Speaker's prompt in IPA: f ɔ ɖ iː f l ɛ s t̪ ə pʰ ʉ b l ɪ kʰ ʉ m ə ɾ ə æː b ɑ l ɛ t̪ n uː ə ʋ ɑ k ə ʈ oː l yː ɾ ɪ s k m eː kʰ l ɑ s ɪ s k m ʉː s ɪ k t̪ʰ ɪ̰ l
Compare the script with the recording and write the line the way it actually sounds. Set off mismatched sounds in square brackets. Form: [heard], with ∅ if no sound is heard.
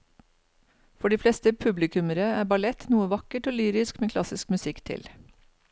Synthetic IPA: f ɔ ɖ iː f l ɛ s t̪ ə pʰ ʉ b l ɪ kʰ ʉ m ə ɾ ə æː b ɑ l ɛ t̪ n uː ə ʋ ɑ k ə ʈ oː l yː ɾ ɪ s k m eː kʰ l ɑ s ɪ s k m [ʉ] s ɪ k t̪ʰ ɪ̰ l